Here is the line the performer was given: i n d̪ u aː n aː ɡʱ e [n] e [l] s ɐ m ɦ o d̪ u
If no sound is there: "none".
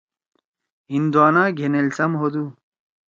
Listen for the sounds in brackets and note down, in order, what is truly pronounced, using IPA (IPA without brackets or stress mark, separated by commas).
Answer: n, l